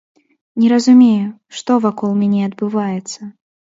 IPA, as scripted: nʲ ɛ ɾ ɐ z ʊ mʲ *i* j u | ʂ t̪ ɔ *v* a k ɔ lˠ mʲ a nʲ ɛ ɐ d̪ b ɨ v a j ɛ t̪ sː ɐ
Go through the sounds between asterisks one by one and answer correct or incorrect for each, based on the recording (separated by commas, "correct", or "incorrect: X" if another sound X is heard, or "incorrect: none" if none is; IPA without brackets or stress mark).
incorrect: e, correct